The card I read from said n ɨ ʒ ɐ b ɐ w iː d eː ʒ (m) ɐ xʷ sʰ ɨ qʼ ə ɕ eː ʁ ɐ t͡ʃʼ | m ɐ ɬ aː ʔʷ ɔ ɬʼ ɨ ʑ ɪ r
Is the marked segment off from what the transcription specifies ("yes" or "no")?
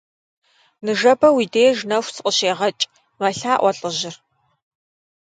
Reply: yes